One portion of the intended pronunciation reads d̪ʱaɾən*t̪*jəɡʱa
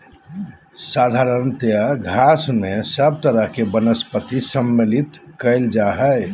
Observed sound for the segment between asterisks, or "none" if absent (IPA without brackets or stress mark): t̪